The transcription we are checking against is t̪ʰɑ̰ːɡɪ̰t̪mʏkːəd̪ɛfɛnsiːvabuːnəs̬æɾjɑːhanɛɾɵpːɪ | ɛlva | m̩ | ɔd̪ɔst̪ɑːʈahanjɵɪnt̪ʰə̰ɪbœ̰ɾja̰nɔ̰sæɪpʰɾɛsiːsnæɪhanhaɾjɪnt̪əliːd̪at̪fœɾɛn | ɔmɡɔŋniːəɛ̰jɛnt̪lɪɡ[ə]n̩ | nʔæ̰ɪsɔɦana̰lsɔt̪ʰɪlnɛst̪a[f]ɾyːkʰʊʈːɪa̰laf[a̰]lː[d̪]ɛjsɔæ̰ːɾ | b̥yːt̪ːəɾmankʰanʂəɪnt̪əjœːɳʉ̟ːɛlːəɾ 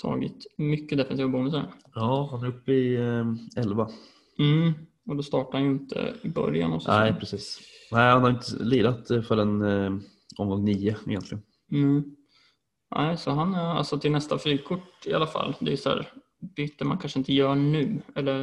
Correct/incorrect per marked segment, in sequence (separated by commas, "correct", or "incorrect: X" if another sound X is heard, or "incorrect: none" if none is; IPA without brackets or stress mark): correct, correct, correct, correct